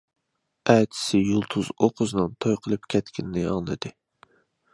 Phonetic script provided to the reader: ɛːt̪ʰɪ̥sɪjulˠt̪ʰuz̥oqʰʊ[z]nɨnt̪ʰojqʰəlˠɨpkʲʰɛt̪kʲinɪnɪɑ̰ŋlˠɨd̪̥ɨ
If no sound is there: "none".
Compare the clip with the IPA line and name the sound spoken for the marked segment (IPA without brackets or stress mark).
z